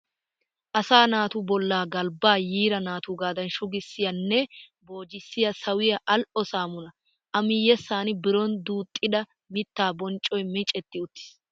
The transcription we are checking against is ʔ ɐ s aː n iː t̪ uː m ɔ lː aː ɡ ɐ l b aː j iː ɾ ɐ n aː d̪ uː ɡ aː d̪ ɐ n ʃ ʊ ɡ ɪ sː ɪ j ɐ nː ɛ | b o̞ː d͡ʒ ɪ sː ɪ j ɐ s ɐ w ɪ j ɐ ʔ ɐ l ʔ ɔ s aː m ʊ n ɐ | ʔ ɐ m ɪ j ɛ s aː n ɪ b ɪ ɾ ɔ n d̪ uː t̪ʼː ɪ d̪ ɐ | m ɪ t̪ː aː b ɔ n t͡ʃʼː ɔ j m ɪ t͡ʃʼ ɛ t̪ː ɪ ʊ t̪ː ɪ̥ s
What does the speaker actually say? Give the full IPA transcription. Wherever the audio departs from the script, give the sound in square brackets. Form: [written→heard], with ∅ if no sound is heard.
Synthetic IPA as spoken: ʔ ɐ s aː n [iː→aː] t̪ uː [m→b] ɔ lː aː ɡ ɐ l b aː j iː ɾ ɐ n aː [d̪→t̪] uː ɡ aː d̪ ɐ n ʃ ʊ ɡ ɪ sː ɪ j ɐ nː ɛ | b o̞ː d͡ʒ ɪ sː ɪ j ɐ s ɐ w ɪ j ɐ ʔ ɐ l ʔ ɔ s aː m ʊ n ɐ | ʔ ɐ m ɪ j ɛ s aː n ɪ b ɪ ɾ ɔ n d̪ uː t̪ʼː ɪ d̪ ɐ | m ɪ t̪ː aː b ɔ n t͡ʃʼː ɔ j m ɪ t͡ʃʼ ɛ t̪ː ɪ ʊ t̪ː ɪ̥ s